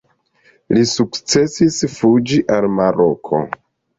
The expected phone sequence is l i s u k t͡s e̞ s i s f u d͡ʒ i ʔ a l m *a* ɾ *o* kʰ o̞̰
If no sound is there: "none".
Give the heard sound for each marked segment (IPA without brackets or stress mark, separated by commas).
a, o